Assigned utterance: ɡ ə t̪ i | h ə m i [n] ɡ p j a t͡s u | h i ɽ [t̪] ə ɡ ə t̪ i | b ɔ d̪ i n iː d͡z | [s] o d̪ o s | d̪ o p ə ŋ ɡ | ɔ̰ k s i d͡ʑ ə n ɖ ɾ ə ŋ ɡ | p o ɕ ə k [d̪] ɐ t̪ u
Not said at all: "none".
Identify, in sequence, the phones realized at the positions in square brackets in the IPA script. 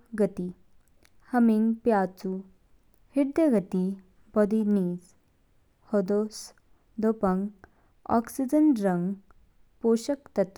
ŋ, d̪, h, t̪

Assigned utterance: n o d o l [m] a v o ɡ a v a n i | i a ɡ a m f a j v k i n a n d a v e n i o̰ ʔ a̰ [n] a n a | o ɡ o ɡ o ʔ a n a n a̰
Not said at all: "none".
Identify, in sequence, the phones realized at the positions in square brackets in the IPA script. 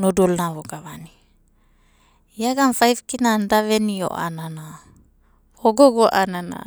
n, n

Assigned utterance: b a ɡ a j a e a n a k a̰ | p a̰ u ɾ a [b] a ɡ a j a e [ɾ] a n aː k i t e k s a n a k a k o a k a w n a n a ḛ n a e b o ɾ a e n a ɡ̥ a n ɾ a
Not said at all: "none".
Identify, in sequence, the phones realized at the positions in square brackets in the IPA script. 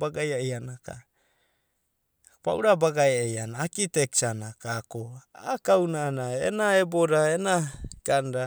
b, none

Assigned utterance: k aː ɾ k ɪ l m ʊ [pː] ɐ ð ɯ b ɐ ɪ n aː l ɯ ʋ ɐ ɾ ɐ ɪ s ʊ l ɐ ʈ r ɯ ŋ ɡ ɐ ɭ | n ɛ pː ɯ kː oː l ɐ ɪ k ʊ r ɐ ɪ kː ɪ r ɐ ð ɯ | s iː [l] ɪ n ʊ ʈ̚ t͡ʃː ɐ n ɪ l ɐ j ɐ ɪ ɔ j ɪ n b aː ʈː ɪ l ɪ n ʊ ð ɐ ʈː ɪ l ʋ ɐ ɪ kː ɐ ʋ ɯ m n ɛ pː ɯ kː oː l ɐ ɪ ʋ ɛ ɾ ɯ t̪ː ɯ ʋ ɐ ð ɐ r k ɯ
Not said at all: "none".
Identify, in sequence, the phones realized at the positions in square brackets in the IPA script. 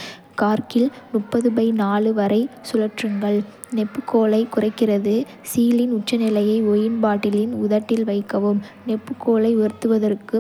pː, l

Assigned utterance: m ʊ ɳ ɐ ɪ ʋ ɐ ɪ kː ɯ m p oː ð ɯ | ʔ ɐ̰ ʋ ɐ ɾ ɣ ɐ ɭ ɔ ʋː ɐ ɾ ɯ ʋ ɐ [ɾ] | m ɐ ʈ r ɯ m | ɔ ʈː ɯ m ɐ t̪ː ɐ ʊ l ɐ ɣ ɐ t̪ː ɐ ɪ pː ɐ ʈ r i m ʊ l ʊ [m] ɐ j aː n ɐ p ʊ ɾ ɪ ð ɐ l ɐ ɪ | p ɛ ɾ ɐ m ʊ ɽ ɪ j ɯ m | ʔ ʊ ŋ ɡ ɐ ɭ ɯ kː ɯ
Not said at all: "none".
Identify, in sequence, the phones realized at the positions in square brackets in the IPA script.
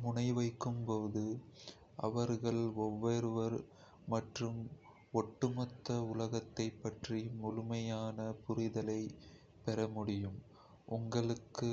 ɾ, m

